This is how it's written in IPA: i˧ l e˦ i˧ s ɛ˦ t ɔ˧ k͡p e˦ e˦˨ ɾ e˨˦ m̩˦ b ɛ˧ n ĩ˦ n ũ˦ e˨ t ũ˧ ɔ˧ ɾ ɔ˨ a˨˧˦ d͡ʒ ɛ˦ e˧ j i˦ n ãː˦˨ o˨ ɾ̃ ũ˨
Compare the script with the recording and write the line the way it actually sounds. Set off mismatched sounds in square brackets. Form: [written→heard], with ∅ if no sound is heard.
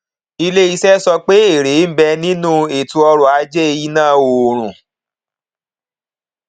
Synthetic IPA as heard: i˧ l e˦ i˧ s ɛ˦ [t→s] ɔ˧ k͡p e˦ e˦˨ ɾ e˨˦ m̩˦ b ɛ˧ n ĩ˦ n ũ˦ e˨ t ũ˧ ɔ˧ ɾ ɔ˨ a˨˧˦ d͡ʒ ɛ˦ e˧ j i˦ n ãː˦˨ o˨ ɾ̃ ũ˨